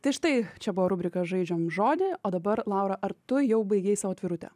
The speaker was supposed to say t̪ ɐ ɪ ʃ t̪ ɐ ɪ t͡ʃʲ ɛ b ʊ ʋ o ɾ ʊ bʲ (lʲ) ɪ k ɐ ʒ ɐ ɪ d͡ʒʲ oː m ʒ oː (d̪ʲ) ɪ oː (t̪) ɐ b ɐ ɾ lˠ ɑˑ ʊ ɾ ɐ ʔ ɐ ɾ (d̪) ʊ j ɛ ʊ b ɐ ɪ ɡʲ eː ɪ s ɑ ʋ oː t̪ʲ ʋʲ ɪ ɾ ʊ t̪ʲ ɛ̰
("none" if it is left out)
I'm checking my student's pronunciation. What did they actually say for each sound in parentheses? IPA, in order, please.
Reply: ɾʲ, d̪ʲ, d̪, t̪

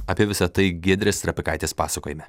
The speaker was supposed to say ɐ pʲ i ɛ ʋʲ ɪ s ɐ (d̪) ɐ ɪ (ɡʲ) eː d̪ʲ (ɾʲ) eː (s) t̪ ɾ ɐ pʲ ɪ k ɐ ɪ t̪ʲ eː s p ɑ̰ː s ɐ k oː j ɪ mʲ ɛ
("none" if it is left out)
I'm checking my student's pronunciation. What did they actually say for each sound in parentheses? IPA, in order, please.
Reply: t̪, ɡʲ, ɾʲ, s

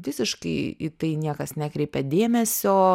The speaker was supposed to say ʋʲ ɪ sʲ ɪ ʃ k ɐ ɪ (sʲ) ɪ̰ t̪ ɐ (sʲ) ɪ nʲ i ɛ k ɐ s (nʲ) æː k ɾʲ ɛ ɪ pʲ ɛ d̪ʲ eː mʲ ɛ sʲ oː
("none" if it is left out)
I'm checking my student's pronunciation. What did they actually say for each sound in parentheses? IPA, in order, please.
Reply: none, none, nʲ

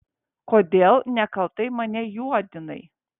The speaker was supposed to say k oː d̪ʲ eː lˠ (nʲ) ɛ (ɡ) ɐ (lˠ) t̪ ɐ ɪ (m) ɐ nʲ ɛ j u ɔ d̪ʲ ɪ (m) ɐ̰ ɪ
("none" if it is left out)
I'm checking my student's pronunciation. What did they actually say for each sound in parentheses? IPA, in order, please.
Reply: nʲ, k, lˠ, m, n

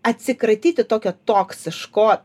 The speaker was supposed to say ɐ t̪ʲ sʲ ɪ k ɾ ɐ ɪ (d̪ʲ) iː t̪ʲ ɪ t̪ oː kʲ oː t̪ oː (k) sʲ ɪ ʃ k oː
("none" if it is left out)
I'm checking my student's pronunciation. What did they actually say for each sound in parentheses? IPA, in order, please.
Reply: t̪ʲ, k

